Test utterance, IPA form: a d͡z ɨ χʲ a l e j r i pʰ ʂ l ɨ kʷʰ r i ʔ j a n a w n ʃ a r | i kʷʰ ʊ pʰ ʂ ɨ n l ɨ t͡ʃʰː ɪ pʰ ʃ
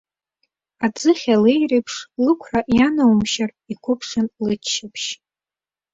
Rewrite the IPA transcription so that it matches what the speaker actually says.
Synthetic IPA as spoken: a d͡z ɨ χʲ a l e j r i pʰ ʂ l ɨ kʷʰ r a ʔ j a n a w m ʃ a r | i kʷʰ ʊ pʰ ʂ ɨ n l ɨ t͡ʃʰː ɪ pʰ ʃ